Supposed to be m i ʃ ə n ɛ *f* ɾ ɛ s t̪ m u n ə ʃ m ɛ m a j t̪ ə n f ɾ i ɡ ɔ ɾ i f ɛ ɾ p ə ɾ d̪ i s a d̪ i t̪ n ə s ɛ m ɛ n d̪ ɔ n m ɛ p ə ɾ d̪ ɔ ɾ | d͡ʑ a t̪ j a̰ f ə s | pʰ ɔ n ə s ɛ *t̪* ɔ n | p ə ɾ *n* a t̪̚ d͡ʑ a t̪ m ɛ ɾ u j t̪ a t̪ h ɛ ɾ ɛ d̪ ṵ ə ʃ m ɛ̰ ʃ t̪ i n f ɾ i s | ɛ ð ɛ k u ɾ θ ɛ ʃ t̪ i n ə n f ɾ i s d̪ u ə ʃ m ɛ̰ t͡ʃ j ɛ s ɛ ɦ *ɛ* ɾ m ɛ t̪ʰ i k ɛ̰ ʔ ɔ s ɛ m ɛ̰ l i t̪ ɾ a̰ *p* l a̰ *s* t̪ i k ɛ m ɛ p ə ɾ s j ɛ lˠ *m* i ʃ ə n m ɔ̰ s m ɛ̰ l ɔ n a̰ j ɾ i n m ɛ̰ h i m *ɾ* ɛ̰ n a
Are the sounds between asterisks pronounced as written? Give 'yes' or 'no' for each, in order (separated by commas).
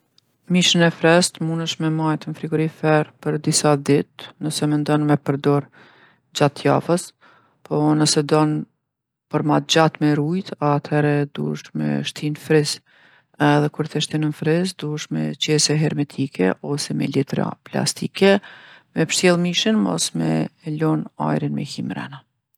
yes, no, no, yes, yes, yes, yes, yes